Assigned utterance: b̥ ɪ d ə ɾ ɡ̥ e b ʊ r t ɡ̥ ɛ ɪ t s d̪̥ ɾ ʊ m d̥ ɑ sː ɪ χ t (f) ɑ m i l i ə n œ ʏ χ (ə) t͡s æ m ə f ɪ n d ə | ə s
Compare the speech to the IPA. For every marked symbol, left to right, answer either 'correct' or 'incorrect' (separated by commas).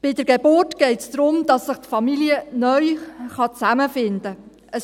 correct, incorrect